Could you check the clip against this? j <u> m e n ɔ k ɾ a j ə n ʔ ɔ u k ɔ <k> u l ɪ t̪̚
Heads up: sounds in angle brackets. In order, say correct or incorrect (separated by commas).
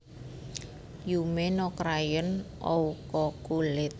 correct, correct